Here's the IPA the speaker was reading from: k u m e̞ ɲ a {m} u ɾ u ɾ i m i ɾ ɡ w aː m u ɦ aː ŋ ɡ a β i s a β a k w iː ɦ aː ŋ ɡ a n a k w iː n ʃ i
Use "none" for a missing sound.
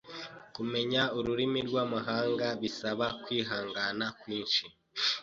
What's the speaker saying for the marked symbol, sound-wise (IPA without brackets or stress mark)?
none